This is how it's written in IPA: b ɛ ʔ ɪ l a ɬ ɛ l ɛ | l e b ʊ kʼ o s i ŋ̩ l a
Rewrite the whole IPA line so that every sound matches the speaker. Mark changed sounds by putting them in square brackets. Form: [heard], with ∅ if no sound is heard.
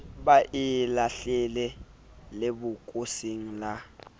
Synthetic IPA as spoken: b [a] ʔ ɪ l a ɬ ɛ l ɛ | l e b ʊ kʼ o s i ŋ̩ l a